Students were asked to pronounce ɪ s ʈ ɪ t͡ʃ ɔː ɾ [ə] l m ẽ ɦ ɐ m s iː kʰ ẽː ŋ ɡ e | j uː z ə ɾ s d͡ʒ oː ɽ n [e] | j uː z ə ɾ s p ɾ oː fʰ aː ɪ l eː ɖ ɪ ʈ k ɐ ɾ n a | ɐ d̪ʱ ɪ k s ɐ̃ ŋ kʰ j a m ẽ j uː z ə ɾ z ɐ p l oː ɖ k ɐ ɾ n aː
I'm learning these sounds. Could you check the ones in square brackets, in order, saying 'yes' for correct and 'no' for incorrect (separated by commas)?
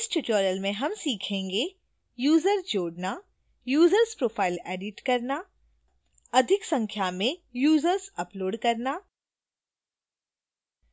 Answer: yes, no